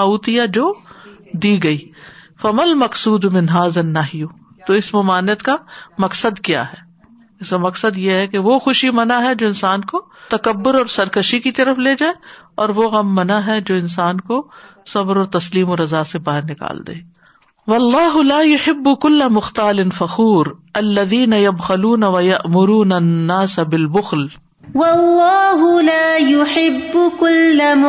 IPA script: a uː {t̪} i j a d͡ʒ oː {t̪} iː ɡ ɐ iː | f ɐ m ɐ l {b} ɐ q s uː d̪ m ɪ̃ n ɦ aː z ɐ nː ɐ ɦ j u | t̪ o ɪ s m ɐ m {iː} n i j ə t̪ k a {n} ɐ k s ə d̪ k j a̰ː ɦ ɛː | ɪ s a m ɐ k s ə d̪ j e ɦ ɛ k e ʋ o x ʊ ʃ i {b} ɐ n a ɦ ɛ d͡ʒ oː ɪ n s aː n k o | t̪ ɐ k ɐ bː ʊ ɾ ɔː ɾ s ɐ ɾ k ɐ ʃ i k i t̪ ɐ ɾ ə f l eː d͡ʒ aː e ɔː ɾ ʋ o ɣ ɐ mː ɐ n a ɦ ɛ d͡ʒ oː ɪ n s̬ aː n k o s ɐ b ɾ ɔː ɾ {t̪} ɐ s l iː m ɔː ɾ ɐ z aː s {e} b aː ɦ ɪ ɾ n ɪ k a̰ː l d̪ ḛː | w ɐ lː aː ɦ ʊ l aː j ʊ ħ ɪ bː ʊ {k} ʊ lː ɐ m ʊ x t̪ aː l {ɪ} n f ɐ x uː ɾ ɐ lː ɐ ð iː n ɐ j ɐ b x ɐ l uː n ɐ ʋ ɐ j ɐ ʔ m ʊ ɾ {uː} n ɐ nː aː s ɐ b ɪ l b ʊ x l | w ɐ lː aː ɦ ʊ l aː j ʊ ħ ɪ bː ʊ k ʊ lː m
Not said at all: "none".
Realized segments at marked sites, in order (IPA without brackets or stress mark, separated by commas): t̪, d̪, m, aː, m, m, t̪, e, k, ɪ, uː